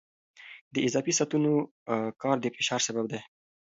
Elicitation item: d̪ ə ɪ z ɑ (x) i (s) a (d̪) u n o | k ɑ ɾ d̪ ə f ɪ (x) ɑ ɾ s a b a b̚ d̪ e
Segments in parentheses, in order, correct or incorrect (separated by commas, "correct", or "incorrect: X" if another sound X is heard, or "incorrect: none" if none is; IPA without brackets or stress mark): incorrect: f, correct, incorrect: t̪, incorrect: ʃ